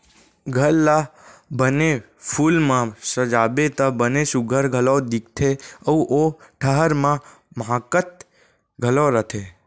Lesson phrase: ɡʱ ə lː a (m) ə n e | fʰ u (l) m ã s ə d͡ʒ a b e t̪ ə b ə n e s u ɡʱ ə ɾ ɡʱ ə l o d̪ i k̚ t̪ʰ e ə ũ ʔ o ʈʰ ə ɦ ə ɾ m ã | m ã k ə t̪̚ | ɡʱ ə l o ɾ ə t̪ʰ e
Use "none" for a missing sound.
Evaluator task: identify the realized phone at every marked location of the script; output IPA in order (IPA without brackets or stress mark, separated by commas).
b, l